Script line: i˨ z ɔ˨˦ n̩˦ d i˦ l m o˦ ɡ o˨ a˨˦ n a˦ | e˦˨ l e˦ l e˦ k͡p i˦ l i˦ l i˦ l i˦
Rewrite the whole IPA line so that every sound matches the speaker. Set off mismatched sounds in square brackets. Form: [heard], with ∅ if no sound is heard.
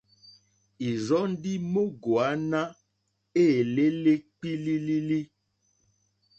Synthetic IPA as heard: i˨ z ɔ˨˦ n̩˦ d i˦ [∅] m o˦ ɡ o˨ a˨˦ n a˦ | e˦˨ l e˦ l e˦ k͡p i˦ l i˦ l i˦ l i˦